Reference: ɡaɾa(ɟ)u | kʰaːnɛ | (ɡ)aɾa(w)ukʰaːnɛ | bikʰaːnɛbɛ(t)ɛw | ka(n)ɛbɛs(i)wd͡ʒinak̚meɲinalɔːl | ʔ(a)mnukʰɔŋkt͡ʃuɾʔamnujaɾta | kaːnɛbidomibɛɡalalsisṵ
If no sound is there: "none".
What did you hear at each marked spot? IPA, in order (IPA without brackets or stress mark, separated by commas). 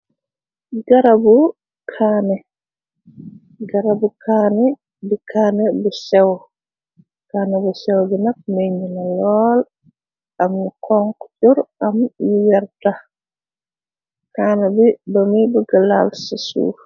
b, ɡ, b, s, n, ɛ, a